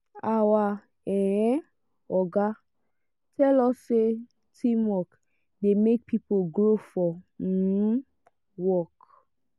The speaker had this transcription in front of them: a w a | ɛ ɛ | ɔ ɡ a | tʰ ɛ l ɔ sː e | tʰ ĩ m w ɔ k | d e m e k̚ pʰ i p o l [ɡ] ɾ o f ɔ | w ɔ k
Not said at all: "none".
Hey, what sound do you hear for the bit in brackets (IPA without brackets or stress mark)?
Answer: ɡ